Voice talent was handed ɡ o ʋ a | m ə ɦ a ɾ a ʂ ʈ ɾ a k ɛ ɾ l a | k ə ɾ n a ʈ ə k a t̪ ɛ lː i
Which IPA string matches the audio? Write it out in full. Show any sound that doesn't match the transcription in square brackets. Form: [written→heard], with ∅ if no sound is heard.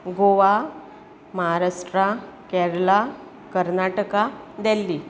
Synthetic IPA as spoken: ɡ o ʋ a | m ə ɦ a ɾ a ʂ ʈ ɾ a k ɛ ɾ l a | k ə ɾ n a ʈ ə k a [t̪→d̪] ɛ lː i